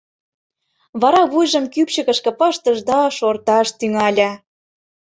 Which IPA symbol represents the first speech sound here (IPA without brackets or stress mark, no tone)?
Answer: β